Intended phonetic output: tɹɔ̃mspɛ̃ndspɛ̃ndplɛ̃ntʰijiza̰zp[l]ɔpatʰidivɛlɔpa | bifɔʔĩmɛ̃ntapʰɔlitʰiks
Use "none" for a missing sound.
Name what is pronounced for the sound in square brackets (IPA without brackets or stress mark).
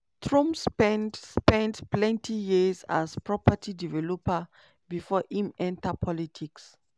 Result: ɹ